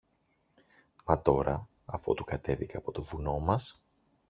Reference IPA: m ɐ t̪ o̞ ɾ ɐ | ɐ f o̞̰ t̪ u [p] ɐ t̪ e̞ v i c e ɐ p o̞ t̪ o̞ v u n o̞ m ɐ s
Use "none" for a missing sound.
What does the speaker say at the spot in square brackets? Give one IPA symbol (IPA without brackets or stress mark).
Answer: k